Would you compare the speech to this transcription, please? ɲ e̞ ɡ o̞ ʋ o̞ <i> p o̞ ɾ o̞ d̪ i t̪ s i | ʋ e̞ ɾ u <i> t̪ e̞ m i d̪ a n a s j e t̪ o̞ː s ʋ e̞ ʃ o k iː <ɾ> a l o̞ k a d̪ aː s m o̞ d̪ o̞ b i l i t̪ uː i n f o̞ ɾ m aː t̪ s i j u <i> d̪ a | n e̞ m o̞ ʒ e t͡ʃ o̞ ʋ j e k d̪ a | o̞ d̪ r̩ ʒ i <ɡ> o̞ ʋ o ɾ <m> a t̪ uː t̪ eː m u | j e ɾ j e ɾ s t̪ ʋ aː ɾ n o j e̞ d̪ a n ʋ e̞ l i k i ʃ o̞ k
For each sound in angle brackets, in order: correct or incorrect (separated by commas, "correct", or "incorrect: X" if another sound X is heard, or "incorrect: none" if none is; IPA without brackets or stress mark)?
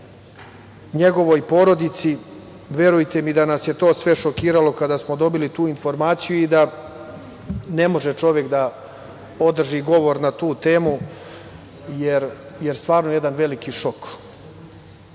incorrect: j, incorrect: j, correct, correct, correct, incorrect: n